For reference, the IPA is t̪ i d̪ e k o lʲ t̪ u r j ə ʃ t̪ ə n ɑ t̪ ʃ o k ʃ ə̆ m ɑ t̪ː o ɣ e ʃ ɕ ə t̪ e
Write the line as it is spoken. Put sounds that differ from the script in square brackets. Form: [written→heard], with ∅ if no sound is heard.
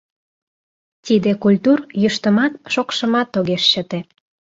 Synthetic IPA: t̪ i d̪ e k [o→u] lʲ t̪ u r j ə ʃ t̪ ə [n→m] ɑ t̪ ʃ o k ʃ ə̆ m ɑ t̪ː o ɣ e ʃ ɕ ə t̪ e